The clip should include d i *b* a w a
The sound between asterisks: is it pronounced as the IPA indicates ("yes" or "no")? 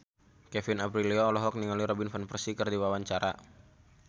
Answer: no